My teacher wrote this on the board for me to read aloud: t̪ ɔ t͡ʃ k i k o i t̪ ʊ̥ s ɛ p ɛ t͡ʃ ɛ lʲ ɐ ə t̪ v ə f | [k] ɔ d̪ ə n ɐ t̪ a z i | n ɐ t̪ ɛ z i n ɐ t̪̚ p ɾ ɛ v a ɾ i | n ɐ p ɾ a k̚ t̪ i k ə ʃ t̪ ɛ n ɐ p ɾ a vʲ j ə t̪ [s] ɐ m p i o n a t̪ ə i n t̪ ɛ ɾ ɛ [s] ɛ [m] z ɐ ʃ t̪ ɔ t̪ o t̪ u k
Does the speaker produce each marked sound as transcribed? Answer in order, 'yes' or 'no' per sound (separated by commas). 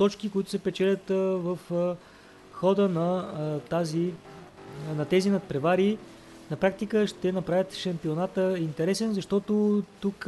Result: no, no, yes, no